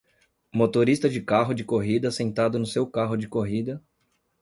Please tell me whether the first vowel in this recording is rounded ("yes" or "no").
yes